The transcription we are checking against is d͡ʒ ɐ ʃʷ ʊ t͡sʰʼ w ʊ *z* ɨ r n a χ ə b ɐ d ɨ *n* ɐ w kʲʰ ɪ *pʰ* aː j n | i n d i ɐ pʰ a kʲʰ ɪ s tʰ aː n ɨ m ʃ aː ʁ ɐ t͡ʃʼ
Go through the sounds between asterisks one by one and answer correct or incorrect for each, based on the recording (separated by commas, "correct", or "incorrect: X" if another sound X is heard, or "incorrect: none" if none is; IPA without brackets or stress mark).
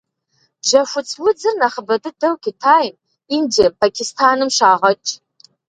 incorrect: d͡z, incorrect: d, incorrect: tʰ